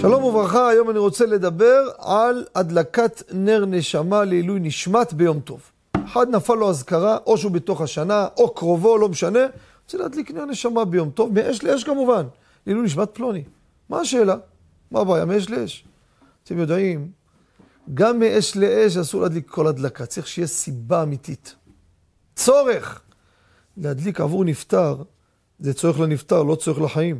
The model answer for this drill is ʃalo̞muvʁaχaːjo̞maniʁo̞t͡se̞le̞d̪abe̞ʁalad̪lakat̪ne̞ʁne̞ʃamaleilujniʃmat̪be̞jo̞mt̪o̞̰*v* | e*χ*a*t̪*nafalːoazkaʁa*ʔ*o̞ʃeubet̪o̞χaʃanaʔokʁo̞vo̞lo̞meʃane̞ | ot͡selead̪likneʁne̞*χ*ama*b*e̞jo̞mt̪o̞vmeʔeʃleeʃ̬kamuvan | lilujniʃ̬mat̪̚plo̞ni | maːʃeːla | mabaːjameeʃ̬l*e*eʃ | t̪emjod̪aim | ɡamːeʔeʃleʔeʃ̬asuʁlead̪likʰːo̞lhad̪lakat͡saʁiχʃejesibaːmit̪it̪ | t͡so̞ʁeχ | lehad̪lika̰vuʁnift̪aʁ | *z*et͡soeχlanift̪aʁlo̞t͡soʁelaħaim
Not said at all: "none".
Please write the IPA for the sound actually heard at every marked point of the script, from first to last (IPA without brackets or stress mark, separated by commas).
v, ħ, d̪, ʔ, ʃ, b, e, z